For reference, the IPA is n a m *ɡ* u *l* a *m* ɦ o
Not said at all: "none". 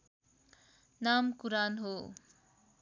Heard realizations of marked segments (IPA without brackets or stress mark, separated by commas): k, ɾ, n